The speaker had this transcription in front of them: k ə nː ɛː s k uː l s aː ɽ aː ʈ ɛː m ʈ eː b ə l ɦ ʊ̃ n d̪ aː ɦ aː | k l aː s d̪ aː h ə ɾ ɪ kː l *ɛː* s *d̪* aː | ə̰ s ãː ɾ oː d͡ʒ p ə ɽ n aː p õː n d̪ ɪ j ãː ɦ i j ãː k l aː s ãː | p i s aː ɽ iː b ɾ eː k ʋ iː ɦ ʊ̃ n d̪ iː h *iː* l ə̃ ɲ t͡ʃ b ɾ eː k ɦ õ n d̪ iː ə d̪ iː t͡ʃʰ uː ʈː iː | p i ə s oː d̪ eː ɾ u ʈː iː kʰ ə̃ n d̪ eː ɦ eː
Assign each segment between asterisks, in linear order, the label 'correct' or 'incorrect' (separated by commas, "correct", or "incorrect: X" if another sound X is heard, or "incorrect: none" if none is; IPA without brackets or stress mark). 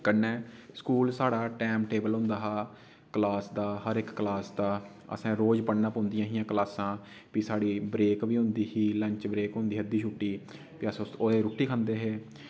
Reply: incorrect: aː, correct, correct